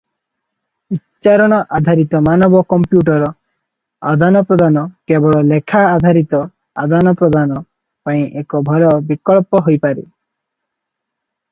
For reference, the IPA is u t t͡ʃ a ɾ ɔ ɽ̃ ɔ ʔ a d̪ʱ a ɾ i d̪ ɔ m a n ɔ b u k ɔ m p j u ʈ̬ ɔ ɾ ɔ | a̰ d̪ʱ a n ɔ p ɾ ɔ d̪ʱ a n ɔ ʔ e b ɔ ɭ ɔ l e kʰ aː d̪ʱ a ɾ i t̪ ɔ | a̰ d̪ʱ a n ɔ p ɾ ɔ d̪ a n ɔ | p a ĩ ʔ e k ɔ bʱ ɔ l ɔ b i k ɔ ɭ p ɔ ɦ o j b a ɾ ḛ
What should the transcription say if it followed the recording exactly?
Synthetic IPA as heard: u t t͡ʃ a ɾ ɔ ɽ̃ ɔ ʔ a d̪ʱ a ɾ i t̪ ɔ m a n ɔ b ɔ k ɔ m p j u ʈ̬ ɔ ɾ ɔ | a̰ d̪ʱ a n ɔ p ɾ ɔ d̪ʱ a n ɔ k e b ɔ ɭ ɔ l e kʰ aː d̪ʱ a ɾ i t̪ ɔ | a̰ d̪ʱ a n ɔ p ɾ ɔ d̪ a n ɔ | p a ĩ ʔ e k ɔ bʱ ɔ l ɔ b i k ɔ ɭ p ɔ ɦ o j p a ɾ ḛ

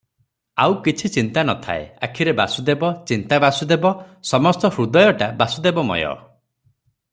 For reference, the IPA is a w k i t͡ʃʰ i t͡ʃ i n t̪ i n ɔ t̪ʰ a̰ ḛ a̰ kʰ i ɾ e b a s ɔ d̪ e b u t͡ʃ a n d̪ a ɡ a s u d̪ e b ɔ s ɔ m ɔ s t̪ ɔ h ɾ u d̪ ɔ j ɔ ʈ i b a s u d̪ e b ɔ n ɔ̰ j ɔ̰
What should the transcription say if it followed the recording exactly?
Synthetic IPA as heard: a w k i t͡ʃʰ i t͡ʃ i n t̪ a n ɔ t̪ʰ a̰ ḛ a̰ kʰ i ɾ e b a s u d̪ e b ɔ t͡ʃ i n t̪ a b a s u d̪ e b ɔ s ɔ m ɔ s t̪ ɔ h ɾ u d̪ ɔ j ɔ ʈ a b a s u d̪ e b ɔ m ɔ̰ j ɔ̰

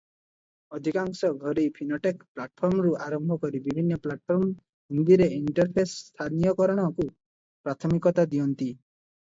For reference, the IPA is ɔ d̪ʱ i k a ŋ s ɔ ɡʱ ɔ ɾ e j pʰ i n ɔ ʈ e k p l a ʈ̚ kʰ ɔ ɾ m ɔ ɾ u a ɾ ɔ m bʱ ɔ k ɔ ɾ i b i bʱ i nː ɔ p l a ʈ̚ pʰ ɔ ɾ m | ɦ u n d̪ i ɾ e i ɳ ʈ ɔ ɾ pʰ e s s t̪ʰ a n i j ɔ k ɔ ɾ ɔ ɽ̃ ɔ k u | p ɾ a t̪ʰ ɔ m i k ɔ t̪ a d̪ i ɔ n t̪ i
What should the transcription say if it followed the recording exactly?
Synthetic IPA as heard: ɔ d̪ʱ i k a ŋ s ɔ ɡʱ ɔ ɾ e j pʰ i n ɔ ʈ e k p l a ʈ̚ pʰ ɔ ɾ m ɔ ɾ u a ɾ ɔ m bʱ ɔ k ɔ ɾ i b i bʱ i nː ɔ p l a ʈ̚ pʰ ɔ ɾ m | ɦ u n d̪ i ɾ e i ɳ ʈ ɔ ɾ pʰ e s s t̪ʰ a n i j ɔ k ɔ ɾ ɔ ɽ̃ ɔ k u | p ɾ a t̪ʰ ɔ m i k ɔ t̪ a d̪ i ɔ n t̪ i

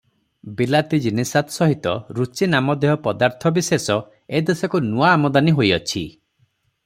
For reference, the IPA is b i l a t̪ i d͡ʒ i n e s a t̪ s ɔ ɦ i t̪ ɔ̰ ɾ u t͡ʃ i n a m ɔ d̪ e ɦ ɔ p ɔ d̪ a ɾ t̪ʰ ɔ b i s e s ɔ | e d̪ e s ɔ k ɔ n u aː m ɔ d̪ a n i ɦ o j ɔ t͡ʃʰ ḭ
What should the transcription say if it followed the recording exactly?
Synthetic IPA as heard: b i l a t̪ i d͡ʒ i n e s a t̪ s ɔ ɦ i t̪ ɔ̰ ɾ u t͡ʃ i n a m ɔ d̪ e ɦ ɔ p ɔ d̪ a ɾ t̪ʰ ɔ b i s e s ɔ | e d̪ e s ɔ k u n u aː m ɔ d̪ a n i ɦ o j ɔ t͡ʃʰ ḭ

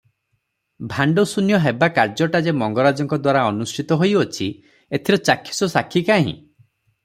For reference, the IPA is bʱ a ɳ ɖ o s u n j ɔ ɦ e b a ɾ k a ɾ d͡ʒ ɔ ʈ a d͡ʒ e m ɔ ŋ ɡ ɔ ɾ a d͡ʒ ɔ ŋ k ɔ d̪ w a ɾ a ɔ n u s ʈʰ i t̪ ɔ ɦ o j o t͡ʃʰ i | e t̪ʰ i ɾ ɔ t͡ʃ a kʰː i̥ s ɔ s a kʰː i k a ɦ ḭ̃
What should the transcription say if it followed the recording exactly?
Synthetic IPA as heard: bʱ a ɳ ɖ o s u n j ɔ ɦ e b a k a ɾ d͡ʒ ɔ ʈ a d͡ʒ e m ɔ ŋ ɡ ɔ ɾ a d͡ʒ ɔ ŋ k ɔ d̪ w a ɾ a ɔ n u s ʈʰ i t̪ ɔ ɦ o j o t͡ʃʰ i | e t̪ʰ i ɾ ɔ t͡ʃ a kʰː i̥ s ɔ s a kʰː i k a ɦ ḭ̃

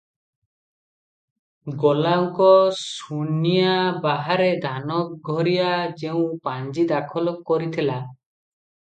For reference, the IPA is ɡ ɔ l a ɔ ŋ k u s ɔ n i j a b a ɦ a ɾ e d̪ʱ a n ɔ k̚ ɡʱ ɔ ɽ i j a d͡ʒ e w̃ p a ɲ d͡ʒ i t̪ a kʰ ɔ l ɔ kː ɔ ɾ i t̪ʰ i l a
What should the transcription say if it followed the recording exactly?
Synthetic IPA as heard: ɡ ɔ l a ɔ ŋ k ɔ s u n i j a b a ɦ a ɾ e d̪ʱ a n ɔ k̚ ɡʱ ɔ ɾ i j a d͡ʒ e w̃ p a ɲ d͡ʒ i d̪ a kʰ ɔ l ɔ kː ɔ ɾ i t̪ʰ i l a

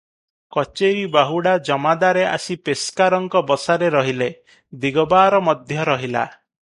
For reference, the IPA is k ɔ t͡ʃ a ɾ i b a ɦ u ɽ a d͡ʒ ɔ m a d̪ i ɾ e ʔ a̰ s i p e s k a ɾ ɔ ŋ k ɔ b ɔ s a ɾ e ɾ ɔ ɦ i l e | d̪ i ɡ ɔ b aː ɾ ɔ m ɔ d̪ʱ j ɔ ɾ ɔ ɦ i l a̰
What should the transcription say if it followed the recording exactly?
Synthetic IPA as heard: k ɔ t͡ʃ e ɾ i b a ɦ u ɽ a d͡ʒ ɔ m a d̪ a ɾ e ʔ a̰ s i p e s k a ɾ ɔ ŋ k ɔ b ɔ s a ɾ e ɾ ɔ ɦ i l e | d̪ i ɡ ɔ b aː ɾ ɔ m ɔ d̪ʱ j ɔ ɾ ɔ ɦ i l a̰

